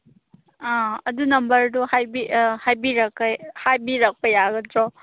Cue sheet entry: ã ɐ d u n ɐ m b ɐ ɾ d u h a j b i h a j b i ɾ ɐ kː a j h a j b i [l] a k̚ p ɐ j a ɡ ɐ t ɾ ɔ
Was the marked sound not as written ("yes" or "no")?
yes